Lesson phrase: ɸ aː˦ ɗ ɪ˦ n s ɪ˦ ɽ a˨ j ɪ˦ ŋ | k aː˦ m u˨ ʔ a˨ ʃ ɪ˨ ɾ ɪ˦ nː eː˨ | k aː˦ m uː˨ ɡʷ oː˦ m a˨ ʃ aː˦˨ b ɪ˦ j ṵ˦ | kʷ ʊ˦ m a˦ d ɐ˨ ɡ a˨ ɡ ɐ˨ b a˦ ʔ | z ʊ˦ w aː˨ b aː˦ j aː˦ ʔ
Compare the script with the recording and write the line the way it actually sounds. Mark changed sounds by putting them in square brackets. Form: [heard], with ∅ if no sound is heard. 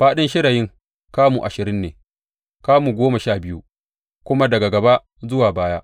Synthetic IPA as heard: ɸ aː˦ ɗ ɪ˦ n [ʃ] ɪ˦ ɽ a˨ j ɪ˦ ŋ | k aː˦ m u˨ ʔ a˨ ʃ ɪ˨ ɾ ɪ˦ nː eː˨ | k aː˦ m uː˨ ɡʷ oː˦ m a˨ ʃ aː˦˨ b ɪ˦ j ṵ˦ | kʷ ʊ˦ m a˦ d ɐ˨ ɡ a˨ ɡ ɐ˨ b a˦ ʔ | z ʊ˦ w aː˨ b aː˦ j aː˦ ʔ